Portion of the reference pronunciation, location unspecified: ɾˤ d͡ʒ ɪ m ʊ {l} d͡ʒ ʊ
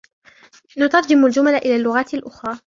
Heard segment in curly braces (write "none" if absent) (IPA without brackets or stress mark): l